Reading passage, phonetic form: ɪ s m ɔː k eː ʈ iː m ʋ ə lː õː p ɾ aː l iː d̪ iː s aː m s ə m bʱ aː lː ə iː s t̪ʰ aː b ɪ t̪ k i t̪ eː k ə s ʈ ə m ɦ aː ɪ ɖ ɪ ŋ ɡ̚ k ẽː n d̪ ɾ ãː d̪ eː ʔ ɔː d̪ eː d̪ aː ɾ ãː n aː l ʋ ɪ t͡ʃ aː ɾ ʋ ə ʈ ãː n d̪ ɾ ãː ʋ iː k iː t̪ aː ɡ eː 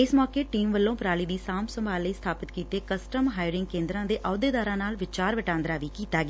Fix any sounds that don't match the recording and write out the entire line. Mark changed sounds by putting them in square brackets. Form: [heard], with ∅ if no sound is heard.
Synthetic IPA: ɪ s m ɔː k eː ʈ iː m ʋ ə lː õː p ɾ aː l iː d̪ iː s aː m s ə m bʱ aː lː ə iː s t̪ʰ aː [p] ɪ t̪ k [iː] t̪ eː k ə s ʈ ə m ɦ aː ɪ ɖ ɪ ŋ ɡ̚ k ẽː n d̪ ɾ ãː d̪ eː ʔ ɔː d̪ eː d̪ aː ɾ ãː n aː l ʋ ɪ t͡ʃ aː ɾ ʋ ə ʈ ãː n d̪ ɾ [aː] ʋ iː k iː t̪ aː ɡ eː